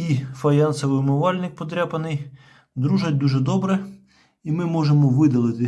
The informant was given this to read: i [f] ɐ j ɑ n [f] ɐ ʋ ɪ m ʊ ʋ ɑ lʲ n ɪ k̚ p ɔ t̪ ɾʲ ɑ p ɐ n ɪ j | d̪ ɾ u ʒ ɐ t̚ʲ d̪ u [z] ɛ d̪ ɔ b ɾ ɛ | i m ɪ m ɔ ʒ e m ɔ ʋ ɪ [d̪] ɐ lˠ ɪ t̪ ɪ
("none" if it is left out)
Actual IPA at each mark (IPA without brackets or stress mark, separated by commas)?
f, s, ʒ, d̪